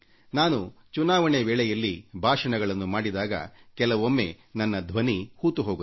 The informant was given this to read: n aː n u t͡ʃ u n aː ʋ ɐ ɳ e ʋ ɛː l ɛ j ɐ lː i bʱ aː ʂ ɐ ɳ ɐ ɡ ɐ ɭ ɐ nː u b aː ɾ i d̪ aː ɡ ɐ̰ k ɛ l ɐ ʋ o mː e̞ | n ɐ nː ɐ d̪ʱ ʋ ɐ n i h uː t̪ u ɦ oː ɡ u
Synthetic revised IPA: n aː n u t͡ʃ u n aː ʋ ɐ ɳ e ʋ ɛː ɭ ɛ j ɐ lː i bʱ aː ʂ ɐ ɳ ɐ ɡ ɐ ɭ ɐ nː u m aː ɽ i d̪ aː ɡ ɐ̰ k ɛ l ɐ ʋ o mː e̞ | n ɐ nː ɐ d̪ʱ ʋ ɐ n i h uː t̪ u ɦ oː ɡ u